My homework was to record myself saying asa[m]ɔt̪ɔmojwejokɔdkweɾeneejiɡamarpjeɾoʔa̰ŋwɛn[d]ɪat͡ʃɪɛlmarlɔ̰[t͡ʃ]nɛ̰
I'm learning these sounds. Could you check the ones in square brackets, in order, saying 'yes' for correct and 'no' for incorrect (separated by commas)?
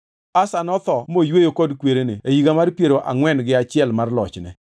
no, no, yes